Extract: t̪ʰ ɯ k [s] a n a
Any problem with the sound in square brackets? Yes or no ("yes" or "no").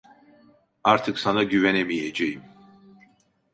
no